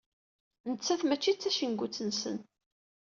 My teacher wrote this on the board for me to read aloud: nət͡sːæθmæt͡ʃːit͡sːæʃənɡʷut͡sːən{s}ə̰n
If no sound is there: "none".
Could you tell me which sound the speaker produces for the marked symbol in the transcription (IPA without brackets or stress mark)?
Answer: s